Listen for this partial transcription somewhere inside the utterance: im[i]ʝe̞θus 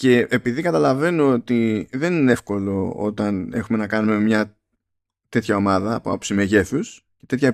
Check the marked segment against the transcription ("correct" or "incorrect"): incorrect